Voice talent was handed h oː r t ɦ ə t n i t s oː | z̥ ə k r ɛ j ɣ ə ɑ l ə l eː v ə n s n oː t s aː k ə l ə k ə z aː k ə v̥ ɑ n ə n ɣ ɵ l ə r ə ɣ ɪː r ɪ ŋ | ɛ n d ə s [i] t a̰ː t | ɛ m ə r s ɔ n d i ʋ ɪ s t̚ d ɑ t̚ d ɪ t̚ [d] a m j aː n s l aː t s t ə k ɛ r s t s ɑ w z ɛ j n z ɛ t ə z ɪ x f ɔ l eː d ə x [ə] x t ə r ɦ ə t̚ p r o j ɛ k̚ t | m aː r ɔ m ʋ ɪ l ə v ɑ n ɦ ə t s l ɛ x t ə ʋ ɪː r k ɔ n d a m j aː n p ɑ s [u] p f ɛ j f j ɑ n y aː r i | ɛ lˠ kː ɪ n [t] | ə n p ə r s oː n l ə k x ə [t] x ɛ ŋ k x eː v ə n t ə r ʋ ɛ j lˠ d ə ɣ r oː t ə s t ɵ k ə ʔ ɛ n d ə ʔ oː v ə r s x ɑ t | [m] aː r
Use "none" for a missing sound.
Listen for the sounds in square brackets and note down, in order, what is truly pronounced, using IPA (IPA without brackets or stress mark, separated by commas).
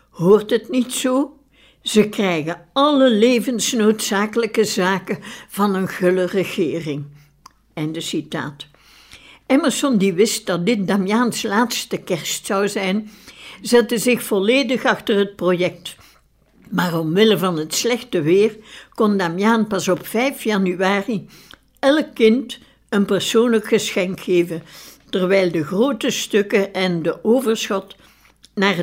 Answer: i, d, ɑ, ɔ, t, s, n